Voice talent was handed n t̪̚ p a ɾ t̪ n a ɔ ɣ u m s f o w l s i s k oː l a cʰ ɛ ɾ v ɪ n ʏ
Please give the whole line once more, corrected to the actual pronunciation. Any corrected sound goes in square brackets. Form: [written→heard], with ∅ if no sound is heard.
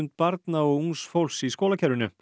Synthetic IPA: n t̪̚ p a ɾ t̪ n a ɔ ɣ u [m→ŋ] s f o w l s i s k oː l a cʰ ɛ ɾ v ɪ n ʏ